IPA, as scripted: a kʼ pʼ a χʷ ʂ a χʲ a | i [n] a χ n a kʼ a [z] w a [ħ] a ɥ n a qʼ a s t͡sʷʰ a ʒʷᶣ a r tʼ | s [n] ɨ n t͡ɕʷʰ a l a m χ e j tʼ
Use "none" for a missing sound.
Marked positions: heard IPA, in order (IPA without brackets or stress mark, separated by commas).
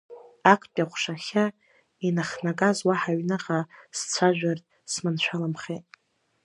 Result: n, z, ħ, m